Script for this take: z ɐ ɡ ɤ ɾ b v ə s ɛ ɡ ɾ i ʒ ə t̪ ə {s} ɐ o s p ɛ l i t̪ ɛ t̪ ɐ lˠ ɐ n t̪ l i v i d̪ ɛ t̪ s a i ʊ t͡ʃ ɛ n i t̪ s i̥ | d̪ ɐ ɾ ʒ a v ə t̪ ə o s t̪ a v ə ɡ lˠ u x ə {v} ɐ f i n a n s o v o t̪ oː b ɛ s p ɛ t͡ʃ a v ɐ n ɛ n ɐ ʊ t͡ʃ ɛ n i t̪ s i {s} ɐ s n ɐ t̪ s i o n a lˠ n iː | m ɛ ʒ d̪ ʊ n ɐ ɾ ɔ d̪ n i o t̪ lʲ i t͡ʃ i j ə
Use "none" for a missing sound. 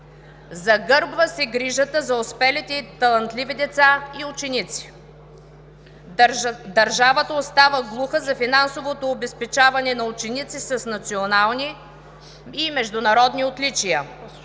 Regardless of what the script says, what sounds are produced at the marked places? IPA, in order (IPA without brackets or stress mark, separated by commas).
z, z, s